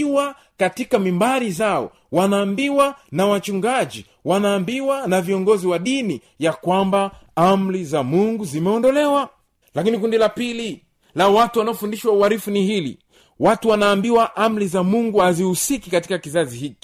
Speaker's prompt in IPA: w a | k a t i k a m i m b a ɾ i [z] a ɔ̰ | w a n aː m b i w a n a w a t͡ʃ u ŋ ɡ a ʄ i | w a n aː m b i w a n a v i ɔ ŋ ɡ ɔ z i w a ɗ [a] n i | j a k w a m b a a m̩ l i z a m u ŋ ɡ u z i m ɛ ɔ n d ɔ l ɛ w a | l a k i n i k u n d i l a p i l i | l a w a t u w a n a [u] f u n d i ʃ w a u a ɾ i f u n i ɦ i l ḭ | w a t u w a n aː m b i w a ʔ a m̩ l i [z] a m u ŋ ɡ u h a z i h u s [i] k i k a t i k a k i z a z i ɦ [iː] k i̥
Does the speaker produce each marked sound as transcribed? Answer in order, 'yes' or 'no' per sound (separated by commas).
yes, no, no, yes, yes, no